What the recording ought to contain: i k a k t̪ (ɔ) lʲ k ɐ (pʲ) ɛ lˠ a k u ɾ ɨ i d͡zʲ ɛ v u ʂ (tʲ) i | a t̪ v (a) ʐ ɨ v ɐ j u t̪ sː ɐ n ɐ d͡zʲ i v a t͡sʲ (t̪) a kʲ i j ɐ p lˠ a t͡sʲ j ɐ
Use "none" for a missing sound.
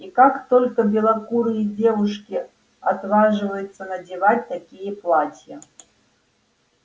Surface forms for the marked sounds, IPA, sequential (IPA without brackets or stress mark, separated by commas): ɔ, bʲ, kʲ, a, t̪